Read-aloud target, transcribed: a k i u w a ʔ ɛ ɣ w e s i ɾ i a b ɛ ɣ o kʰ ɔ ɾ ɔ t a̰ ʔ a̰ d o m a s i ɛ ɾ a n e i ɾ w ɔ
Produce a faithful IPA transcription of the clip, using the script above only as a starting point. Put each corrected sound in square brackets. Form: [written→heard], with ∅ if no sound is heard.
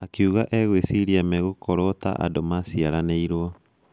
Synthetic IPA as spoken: a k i u [w→ɣ] a ʔ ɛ ɣ w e s i ɾ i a [b→m] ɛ ɣ o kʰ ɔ ɾ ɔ t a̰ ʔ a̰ d o m a s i [ɛ→a] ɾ a n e i ɾ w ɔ

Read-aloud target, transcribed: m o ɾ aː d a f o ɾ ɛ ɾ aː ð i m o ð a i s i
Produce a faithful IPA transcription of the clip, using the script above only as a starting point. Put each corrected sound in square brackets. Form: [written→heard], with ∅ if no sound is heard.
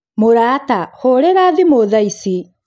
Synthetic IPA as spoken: m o ɾ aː [d→t] a [f→h] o ɾ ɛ ɾ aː ð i m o ð a i s i

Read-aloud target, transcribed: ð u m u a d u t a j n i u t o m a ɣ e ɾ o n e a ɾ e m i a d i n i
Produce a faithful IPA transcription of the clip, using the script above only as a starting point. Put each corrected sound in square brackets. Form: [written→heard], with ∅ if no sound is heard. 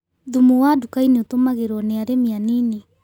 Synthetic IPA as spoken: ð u m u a d u [t→k] a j n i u t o m a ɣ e ɾ o n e a ɾ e m i a [d→n] i n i

